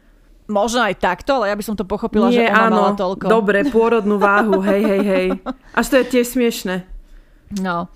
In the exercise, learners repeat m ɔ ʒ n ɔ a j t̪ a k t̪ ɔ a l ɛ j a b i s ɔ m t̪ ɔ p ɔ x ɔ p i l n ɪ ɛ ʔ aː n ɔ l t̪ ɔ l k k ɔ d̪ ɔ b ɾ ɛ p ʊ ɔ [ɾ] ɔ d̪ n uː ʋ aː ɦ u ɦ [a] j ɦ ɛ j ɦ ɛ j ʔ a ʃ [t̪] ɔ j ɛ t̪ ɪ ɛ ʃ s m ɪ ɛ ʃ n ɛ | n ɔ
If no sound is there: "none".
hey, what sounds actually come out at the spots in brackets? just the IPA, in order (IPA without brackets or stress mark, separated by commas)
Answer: ɾ, ɛ, t̪